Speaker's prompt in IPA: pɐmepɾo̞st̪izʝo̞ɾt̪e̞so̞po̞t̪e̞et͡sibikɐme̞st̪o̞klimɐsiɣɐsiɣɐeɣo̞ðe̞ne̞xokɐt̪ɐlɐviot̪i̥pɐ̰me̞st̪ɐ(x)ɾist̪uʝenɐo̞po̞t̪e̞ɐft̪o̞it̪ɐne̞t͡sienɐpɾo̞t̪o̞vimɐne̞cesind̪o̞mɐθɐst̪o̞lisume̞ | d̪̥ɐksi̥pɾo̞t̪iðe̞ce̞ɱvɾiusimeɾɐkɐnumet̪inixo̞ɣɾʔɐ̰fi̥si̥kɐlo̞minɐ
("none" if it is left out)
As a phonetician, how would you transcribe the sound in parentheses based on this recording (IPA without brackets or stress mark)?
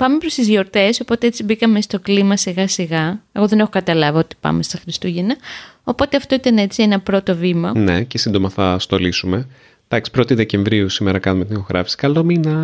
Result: x